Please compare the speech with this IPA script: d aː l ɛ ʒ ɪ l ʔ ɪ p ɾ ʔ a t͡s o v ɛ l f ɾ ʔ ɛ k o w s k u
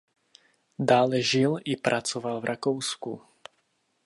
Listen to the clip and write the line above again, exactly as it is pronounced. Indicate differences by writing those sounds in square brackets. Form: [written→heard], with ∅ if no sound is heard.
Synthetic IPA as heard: d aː l ɛ ʒ ɪ l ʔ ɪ p ɾ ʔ a t͡s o v [ɛ→a] l [f→v] ɾ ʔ [ɛ→a] k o w s k u